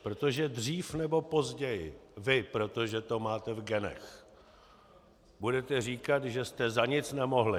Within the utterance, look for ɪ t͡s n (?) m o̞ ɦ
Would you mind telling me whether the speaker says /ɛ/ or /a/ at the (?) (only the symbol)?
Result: ɛ